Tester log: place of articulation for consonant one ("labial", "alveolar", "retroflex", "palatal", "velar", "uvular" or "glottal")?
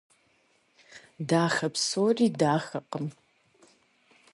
alveolar